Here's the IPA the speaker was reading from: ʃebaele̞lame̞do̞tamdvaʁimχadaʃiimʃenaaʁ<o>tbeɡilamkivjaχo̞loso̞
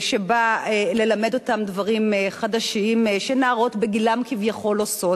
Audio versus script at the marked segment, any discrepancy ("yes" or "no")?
no